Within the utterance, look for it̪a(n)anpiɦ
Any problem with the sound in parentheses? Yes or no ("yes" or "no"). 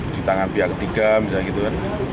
yes